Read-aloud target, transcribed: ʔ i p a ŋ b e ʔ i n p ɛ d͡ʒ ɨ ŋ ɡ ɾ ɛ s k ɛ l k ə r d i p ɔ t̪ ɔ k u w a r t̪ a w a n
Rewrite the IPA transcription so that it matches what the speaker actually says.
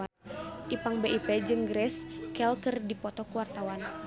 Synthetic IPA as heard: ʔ i p a ŋ b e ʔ i p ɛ d͡ʒ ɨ ŋ ɡ ɾ ɛ s k ɛ l k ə r d i p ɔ t̪ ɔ k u w a r t̪ a w a n